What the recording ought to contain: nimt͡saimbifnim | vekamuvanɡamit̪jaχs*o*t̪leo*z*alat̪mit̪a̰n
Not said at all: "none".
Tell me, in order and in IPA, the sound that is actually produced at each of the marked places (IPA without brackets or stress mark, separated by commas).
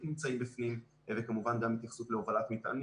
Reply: u, v